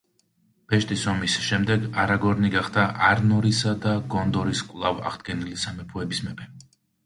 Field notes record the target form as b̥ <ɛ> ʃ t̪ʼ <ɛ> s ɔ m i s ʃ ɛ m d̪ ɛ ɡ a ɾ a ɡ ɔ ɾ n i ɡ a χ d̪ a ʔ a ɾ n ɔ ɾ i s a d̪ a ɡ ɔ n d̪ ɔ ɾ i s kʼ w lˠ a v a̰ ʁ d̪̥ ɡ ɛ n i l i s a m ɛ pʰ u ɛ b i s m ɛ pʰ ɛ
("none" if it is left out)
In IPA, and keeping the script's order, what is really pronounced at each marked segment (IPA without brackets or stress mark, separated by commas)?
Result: ɛ, i